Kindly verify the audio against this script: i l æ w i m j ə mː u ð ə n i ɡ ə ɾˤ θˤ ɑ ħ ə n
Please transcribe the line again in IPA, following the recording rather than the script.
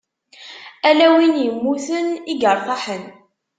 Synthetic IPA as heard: æ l æ w i n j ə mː u θ ə n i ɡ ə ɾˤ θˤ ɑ ħ ə n